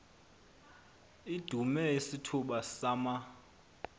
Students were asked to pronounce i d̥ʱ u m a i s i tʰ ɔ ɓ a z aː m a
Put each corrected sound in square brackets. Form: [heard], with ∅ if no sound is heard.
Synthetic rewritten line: i d̥ʱ u m [ɛ] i s i tʰ [u] ɓ a [s] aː m a